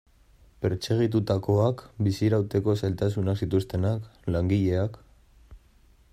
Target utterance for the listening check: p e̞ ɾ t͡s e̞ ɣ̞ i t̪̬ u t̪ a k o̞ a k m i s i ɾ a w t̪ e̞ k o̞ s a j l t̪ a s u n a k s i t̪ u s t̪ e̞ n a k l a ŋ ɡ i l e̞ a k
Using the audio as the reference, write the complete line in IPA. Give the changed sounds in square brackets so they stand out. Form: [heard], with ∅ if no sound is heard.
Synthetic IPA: p e̞ ɾ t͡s e̞ ɣ̞ i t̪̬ u t̪ a k o̞ a k [b] i s i ɾ a w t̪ e̞ k o̞ s a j l t̪ a s u n a k s i t̪ u s t̪ e̞ n a k l a ŋ ɡ i [ʎ] e̞ a k